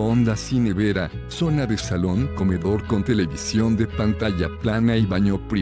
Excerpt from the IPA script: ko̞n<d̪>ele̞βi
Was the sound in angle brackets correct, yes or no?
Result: no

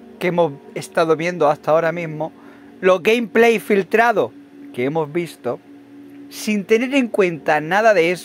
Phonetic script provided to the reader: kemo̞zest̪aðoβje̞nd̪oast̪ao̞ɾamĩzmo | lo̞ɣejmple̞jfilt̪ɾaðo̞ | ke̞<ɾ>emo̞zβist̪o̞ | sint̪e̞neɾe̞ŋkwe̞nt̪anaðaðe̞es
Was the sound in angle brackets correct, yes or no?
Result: no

